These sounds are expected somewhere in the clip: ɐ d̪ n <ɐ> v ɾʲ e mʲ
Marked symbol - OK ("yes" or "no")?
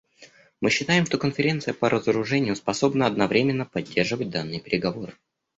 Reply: yes